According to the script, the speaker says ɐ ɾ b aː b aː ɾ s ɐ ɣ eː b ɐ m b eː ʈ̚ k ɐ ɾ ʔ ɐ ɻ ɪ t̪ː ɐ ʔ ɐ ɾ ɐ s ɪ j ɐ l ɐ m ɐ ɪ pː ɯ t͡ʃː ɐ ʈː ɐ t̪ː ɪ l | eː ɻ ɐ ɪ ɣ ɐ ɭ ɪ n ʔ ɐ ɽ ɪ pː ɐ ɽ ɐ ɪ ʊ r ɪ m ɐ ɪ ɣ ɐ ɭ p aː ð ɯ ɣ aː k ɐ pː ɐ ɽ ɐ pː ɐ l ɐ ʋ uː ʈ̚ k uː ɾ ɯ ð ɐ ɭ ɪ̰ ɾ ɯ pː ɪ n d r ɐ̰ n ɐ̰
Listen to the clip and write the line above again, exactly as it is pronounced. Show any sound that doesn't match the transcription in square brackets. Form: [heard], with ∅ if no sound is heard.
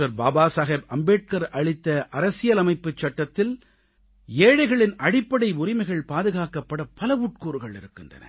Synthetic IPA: ɐ ɾ b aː b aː [∅] s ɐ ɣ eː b ɐ m b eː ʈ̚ k ɐ ɾ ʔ ɐ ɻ ɪ t̪ː ɐ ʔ ɐ ɾ ɐ s ɪ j ɐ l ɐ m ɐ ɪ pː ɯ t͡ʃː ɐ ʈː ɐ t̪ː ɪ l | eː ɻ ɐ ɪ ɣ ɐ ɭ ɪ n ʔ ɐ ɽ ɪ pː ɐ ɽ ɐ ɪ ʊ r ɪ m ɐ ɪ ɣ ɐ ɭ p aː ð ɯ ɣ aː k ɐ pː ɐ ɽ ɐ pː ɐ l ɐ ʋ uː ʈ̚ k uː ɾ ɯ [ɣ] ɐ ɭ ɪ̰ ɾ ɯ [kː] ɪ n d r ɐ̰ n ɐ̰